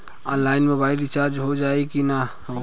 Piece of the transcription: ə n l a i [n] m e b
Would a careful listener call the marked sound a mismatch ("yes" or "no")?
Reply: no